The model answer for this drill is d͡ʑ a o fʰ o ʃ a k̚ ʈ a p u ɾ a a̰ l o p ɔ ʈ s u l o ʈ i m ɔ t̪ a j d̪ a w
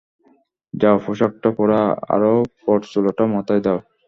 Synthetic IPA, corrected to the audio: d͡ʑ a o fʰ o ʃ a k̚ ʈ a p ɔ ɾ a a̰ ɾ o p ɔ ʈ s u l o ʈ a m ɔ t̪ a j d̪ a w